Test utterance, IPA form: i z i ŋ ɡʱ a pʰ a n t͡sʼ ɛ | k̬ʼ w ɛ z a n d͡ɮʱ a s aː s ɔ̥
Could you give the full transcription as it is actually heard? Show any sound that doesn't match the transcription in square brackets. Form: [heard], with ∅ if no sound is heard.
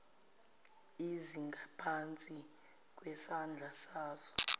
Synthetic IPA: i z i ŋ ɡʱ a pʰ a n t͡sʼ [i] | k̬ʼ w ɛ [s] a n d͡ɮʱ a s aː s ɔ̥